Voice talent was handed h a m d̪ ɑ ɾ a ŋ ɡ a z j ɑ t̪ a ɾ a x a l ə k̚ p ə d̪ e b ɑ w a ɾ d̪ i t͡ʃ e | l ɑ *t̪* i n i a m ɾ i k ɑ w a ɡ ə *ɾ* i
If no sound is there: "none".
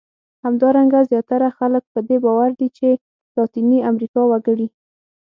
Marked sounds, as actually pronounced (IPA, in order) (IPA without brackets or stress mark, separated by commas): t̪, ɽ